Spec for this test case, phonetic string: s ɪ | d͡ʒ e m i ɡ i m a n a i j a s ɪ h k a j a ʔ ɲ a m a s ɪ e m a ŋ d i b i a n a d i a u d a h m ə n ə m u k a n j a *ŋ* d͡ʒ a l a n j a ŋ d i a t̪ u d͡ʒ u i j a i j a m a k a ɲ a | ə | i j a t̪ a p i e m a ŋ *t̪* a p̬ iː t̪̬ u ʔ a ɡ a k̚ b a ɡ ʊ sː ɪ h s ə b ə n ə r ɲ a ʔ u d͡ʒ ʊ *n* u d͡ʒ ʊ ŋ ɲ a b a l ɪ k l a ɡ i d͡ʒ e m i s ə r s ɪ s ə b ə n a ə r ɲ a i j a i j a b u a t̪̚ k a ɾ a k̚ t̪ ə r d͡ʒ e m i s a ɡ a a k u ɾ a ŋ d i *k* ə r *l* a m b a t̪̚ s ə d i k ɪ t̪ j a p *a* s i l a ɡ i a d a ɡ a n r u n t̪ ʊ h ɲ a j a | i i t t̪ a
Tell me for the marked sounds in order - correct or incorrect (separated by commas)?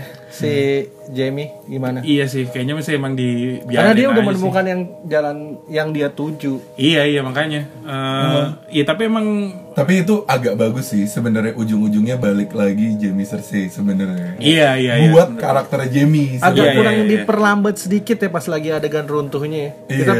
correct, correct, incorrect, incorrect, correct, correct